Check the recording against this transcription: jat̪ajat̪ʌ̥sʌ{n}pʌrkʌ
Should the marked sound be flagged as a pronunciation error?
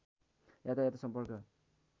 yes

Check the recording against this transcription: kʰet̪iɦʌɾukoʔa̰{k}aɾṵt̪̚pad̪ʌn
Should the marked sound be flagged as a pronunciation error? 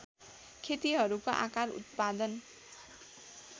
no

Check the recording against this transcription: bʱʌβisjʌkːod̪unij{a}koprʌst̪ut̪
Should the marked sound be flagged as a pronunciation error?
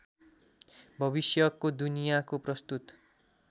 no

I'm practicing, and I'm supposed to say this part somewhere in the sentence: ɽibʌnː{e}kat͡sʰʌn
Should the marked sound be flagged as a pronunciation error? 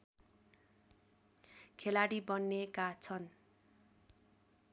no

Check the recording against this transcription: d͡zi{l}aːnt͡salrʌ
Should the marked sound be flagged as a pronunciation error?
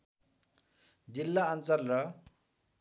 yes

